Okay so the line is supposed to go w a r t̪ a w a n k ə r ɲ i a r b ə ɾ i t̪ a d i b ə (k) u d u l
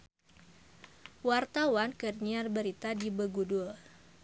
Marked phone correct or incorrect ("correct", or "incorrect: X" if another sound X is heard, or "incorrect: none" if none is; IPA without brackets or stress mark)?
incorrect: ɡ